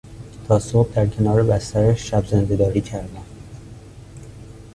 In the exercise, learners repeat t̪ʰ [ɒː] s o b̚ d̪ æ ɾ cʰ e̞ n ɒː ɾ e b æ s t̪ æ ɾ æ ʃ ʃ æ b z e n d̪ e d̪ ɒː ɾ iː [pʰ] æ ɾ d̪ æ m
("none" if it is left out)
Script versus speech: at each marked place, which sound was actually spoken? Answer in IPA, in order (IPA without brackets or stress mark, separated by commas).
ɒː, cʰ